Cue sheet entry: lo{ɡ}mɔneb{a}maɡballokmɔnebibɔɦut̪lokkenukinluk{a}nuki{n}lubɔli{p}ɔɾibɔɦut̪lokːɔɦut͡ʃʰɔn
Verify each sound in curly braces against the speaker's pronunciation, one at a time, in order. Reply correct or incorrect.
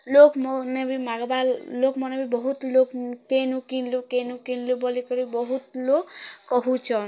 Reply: incorrect: k, incorrect: i, incorrect: e, correct, incorrect: k

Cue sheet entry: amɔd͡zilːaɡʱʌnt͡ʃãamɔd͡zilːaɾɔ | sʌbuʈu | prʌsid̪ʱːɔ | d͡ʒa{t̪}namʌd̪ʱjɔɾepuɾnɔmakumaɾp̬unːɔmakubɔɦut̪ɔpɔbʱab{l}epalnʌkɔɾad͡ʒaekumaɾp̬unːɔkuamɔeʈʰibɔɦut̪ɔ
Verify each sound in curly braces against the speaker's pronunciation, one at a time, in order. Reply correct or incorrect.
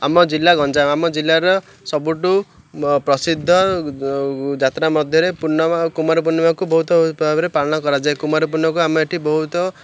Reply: correct, incorrect: ɾ

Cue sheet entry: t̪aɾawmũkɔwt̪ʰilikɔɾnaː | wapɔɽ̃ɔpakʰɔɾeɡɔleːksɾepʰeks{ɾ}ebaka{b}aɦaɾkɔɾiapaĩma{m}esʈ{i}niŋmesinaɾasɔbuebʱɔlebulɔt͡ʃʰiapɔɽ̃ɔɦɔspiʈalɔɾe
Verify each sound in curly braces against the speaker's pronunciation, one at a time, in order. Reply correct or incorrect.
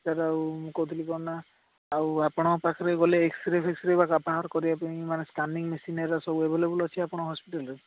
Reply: correct, incorrect: p, incorrect: n, incorrect: a

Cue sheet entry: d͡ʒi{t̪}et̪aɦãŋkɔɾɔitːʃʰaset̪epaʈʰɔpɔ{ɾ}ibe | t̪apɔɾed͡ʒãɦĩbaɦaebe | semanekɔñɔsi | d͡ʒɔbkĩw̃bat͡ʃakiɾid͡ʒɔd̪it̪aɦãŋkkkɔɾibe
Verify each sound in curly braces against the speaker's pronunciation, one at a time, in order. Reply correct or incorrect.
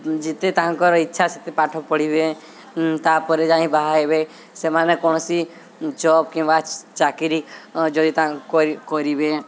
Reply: correct, incorrect: ɽ

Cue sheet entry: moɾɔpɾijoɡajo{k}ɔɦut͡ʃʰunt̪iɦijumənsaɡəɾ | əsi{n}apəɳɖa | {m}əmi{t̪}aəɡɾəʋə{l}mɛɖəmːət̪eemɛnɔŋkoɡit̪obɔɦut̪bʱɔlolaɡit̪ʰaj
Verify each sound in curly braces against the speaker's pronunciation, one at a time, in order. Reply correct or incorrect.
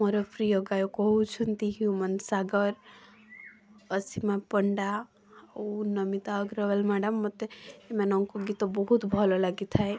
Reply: correct, incorrect: m, incorrect: n, correct, correct

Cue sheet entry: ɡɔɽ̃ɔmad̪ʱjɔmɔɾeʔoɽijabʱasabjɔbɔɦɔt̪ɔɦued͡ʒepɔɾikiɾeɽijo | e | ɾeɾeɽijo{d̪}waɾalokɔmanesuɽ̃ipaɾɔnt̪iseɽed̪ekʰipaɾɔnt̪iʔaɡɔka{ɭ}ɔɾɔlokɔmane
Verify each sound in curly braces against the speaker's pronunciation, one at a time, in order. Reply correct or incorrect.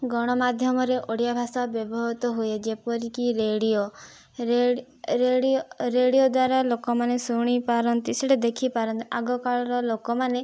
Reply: correct, correct

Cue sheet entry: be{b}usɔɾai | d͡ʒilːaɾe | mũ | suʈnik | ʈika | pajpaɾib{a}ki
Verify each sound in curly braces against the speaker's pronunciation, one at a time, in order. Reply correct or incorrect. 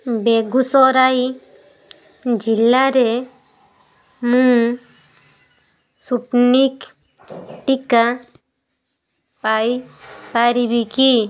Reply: incorrect: ɡ, incorrect: i

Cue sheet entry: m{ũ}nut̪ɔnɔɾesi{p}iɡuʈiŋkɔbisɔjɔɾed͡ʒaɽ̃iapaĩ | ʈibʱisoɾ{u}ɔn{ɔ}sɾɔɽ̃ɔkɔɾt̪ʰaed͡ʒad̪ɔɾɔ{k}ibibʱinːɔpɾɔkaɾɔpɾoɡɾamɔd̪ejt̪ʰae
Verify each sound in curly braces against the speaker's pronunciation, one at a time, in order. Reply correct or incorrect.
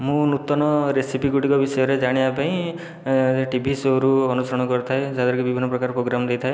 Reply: correct, correct, correct, incorrect: u, correct

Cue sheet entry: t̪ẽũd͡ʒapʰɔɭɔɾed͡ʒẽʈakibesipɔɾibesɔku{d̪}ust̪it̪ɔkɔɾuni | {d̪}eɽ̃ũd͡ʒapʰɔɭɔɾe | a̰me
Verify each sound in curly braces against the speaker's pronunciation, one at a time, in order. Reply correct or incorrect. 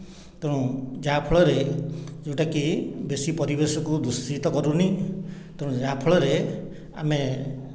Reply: correct, incorrect: t̪

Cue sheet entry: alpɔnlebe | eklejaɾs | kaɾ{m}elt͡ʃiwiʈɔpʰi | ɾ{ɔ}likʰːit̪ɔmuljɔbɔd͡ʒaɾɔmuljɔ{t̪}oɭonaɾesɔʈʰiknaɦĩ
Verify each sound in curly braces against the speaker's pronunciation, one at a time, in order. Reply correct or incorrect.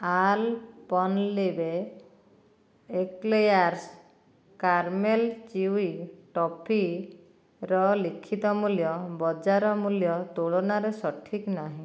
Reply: correct, correct, correct

